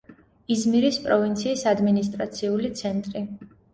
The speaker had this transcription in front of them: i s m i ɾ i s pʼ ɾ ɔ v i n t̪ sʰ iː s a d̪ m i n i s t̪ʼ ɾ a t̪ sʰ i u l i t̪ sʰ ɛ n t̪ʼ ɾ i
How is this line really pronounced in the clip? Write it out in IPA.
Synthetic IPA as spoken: i z m i ɾ i s pʼ ɾ ɔ v i n t̪ sʰ iː s a d̪ m i n i s t̪ʼ ɾ a t̪ sʰ i u l i t̪ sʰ ɛ n t̪ʼ ɾ i

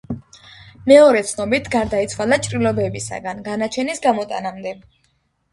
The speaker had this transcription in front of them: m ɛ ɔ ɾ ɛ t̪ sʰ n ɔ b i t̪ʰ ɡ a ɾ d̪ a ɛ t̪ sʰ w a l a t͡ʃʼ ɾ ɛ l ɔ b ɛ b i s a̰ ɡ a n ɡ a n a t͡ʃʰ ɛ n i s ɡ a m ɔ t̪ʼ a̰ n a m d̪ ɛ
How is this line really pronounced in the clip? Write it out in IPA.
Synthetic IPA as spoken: m ɛ ɔ ɾ ɛ t̪ sʰ n ɔ b i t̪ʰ ɡ a ɾ d̪ a i t̪ sʰ w a l a t͡ʃʼ ɾ i l ɔ b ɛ b i s a̰ ɡ a n ɡ a n a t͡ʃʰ ɛ n i s ɡ a m ɔ t̪ʼ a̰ n a m d̪ ɛ

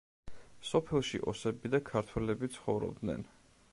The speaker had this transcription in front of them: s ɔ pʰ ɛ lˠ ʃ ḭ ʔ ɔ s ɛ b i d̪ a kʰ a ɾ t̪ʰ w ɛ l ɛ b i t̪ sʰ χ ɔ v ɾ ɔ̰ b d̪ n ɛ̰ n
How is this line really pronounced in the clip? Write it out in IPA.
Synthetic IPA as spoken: s ɔ pʰ ɛ lˠ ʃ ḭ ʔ ɔ s ɛ b i d̪ a kʰ a ɾ t̪ʰ w ɛ l ɛ b i t̪ sʰ χ ɔ v ɾ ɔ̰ b d̪ n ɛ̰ n

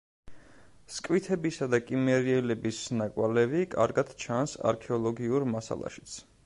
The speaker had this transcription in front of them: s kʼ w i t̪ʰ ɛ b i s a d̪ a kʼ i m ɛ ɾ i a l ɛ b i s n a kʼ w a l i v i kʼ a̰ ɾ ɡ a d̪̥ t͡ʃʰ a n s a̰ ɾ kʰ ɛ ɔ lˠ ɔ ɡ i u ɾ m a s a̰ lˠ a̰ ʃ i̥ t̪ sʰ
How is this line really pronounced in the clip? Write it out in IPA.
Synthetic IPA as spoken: s kʼ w i t̪ʰ ɛ b i s a d̪ a kʼ i m ɛ ɾ i ɛ l ɛ b i s n a kʼ w a l ɛ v i kʼ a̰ ɾ ɡ a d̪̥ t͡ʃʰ a n s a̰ ɾ kʰ ɛ ɔ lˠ ɔ ɡ i u ɾ m a s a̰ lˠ a̰ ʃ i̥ t̪ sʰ

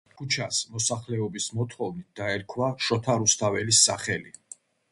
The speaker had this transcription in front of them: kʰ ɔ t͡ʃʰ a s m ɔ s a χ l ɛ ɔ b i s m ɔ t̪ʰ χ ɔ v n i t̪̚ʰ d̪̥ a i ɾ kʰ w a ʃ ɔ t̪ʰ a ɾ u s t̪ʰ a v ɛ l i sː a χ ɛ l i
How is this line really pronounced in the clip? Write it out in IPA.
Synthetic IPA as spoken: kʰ u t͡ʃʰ a s m ɔ s a χ l ɛ ɔ b i s m ɔ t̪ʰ χ ɔ v n i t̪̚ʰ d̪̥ a ɛ ɾ kʰ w a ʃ ɔ t̪ʰ a ɾ u s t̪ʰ a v ɛ l i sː a χ ɛ l i

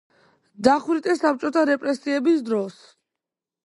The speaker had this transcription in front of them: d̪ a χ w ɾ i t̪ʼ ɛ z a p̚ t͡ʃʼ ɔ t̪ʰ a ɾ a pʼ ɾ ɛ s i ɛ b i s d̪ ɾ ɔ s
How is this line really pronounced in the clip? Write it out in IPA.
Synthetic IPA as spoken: d̪ a χ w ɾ i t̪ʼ ɛ s a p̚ t͡ʃʼ ɔ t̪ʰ a ɾ ɛ pʼ ɾ ɛ s i ɛ b i s d̪ ɾ ɔ s

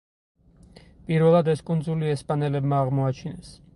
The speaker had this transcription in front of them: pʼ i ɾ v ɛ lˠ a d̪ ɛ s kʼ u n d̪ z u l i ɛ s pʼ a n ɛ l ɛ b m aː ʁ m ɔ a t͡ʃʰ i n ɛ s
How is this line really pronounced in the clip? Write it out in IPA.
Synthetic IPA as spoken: pʼ i ɾ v ɛ lˠ a d̪ ɛ s kʼ u n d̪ z u l i ɛ s pʼ a n ɛ l ɛ b m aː ʁ m ɔ a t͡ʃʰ i n ɛ s

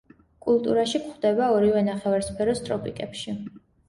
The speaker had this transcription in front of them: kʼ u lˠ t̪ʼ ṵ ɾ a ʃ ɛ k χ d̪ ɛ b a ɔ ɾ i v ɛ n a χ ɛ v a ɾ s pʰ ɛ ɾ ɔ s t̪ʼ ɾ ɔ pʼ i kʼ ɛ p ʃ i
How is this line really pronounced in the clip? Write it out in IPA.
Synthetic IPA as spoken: kʼ u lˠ t̪ʼ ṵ ɾ a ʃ i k χ d̪ ɛ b a ɔ ɾ i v ɛ n a χ ɛ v a ɾ s pʰ ɛ ɾ ɔ s t̪ʼ ɾ ɔ pʼ i kʼ ɛ p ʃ i

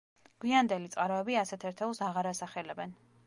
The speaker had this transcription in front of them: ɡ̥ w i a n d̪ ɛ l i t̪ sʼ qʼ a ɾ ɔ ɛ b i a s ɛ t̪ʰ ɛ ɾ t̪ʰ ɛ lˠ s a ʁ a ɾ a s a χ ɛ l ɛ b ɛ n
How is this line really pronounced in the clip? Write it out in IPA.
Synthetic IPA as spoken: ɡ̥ w i a n d̪ ɛ l i t̪ sʼ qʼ a ɾ ɔ ɛ b i a s ɛ t̪ʰ ɛ ɾ t̪ʰ ɛ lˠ s a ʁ a ɾ a s a χ ɛ l ɛ b ɛ n

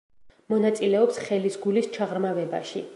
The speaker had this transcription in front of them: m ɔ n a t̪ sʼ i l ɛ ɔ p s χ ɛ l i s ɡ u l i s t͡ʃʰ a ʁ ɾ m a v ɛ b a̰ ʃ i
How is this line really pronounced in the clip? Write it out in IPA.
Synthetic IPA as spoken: m ɔ n a t̪ sʼ i l ɛ ɔ p s χ ɛ l i s ɡ u l i s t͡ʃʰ a ʁ ɾ m a v ɛ b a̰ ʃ i

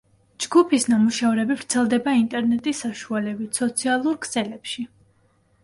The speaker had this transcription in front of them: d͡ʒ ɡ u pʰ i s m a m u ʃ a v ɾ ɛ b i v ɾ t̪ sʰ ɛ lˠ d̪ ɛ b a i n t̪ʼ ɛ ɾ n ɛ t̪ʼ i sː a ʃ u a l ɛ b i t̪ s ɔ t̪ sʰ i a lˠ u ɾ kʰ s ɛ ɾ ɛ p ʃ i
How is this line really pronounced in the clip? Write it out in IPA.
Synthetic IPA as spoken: d͡ʒ ɡ u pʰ i s n a m u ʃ a v ɾ ɛ b i v ɾ t̪ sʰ ɛ lˠ d̪ ɛ b a i n t̪ʼ ɛ ɾ n ɛ t̪ʼ i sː a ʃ u a l ɛ b i t̪ s ɔ t̪ sʰ i a lˠ u ɾ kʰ s ɛ l ɛ p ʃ i

